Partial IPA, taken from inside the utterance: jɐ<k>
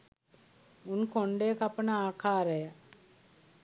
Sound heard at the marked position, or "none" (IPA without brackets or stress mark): none